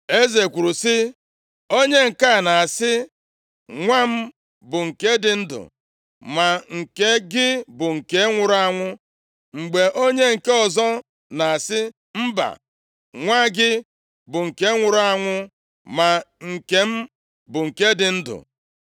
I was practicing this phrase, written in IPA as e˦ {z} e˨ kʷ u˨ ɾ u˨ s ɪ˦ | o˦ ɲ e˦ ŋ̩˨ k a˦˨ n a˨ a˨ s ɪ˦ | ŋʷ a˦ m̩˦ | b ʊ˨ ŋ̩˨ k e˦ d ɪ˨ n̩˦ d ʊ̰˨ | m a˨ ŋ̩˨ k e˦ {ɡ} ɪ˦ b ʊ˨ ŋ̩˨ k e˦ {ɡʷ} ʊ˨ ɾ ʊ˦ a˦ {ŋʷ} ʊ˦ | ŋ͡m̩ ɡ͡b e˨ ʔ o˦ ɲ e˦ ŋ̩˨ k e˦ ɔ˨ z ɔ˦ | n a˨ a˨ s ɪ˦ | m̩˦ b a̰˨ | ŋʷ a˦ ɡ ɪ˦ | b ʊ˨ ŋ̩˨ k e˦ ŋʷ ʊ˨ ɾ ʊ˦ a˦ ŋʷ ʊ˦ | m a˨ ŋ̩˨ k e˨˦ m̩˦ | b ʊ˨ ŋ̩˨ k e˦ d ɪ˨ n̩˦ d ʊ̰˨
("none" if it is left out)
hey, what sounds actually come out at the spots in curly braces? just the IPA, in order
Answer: z, ɡ, ŋʷ, ŋʷ

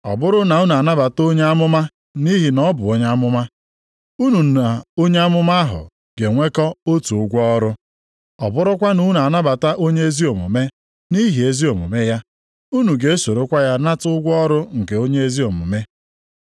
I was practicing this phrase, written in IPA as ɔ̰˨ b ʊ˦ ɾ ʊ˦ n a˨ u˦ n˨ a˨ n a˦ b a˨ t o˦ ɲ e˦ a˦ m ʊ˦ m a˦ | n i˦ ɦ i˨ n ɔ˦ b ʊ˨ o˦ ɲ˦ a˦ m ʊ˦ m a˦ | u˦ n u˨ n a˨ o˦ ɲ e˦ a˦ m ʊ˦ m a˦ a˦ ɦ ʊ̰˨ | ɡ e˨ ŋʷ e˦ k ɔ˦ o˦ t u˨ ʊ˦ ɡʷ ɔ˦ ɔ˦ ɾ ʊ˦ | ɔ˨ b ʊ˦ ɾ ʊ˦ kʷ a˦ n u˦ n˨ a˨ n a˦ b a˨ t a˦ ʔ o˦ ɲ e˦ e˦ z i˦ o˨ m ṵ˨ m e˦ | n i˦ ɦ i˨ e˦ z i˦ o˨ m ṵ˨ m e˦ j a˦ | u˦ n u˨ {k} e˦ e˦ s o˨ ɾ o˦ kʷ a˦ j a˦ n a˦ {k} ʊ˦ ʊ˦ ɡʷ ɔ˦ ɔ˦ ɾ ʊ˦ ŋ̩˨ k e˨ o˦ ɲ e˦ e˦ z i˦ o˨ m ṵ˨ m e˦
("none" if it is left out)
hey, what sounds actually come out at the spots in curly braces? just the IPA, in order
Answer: ɡ, t

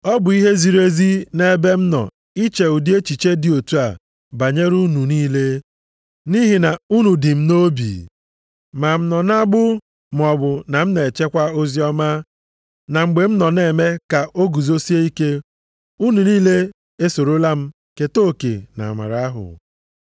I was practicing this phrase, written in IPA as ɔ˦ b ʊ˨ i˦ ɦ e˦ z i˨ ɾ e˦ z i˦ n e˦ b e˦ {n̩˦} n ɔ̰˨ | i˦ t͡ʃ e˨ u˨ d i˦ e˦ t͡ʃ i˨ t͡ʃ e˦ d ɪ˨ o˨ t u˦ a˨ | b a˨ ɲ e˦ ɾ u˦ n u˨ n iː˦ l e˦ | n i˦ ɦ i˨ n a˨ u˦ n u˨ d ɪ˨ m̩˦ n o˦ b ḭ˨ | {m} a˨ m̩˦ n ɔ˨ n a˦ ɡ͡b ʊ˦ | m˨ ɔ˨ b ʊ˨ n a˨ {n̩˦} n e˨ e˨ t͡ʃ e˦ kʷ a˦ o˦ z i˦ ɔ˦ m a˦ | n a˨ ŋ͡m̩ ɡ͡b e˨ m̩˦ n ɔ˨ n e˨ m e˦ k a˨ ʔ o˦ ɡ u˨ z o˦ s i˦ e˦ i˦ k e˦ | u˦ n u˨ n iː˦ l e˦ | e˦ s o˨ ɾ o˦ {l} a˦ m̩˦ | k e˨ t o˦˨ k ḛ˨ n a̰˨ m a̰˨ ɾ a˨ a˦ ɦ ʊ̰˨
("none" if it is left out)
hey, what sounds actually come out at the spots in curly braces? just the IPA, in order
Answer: m̩˦, m, m̩˦, l

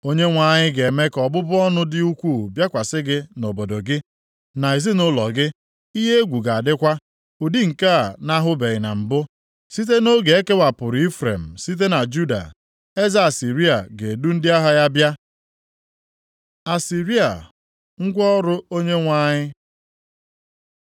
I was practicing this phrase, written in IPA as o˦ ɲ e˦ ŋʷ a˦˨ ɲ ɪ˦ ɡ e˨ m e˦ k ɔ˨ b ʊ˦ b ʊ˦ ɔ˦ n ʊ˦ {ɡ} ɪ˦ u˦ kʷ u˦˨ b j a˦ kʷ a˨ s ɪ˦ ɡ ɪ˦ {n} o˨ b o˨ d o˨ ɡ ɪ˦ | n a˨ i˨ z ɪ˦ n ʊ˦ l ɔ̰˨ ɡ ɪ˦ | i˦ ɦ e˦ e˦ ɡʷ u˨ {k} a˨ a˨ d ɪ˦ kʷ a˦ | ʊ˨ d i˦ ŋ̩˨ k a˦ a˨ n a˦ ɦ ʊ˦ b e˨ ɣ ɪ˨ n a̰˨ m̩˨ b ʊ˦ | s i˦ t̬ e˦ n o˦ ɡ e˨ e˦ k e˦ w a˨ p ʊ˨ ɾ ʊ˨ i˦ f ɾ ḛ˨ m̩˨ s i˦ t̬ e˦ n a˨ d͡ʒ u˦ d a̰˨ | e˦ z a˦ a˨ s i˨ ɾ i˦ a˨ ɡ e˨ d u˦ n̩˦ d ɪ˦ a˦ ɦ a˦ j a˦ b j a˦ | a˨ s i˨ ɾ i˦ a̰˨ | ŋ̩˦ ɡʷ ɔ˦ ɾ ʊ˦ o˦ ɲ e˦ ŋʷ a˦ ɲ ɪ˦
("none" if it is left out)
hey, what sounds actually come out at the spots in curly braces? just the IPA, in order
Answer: d, n, ɡ

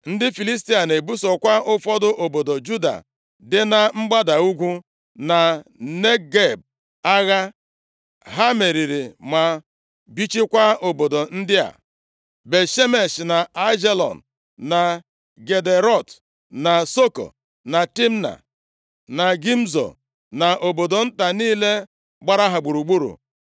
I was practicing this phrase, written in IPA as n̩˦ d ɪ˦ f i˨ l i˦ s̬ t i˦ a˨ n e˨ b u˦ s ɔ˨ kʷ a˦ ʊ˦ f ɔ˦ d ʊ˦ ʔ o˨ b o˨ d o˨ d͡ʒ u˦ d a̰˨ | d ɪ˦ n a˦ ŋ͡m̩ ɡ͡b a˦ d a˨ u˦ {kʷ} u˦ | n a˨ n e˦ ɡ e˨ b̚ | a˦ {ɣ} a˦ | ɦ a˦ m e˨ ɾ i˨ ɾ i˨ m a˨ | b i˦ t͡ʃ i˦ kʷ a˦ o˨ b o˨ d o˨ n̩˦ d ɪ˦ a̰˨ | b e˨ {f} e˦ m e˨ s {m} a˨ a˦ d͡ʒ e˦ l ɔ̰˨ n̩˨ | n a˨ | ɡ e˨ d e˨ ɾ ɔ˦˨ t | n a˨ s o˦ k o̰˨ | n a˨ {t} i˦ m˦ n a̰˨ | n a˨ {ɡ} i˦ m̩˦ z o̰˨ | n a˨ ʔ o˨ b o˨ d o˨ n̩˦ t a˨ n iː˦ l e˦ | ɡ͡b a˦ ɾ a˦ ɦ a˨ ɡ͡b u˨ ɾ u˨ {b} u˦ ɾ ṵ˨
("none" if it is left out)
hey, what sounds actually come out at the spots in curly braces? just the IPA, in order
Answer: ɡʷ, ɣ, ʃ, n, t, ɡ, ɡ͡b

